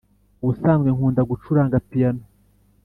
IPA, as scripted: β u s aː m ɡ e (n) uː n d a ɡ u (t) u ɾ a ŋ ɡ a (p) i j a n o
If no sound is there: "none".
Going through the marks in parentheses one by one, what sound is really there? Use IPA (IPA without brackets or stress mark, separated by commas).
ŋ, t͡ʃ, p